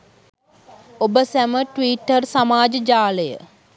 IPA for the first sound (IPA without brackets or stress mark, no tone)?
o